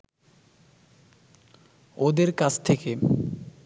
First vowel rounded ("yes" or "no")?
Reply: yes